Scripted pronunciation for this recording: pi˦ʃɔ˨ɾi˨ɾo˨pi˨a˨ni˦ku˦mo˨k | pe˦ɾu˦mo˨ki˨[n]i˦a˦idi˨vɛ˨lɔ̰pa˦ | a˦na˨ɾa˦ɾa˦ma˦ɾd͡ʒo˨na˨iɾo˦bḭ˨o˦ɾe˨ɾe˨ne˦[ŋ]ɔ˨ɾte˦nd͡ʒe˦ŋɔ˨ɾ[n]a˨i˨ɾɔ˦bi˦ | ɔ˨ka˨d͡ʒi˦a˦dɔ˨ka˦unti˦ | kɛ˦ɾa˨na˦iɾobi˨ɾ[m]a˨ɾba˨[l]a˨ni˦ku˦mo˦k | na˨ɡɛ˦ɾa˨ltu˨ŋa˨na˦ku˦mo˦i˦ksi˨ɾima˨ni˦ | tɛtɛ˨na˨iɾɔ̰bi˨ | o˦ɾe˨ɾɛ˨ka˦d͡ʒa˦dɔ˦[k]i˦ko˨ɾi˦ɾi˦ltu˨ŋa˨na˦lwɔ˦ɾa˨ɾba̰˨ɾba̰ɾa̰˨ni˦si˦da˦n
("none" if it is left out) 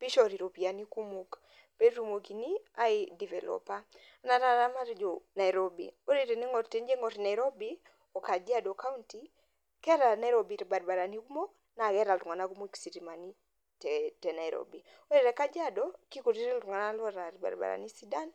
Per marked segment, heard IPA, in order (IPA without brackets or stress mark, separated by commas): n, ŋ, n, b, ɾ, k